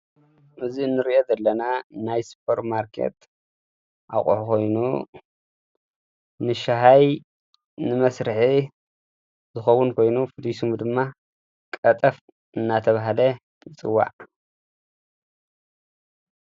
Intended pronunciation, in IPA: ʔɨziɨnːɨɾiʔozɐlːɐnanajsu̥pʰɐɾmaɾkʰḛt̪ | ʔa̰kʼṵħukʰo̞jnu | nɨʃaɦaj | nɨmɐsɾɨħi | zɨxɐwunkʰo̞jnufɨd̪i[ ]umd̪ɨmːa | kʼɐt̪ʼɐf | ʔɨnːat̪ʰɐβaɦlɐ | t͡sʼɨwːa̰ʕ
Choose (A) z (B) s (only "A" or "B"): B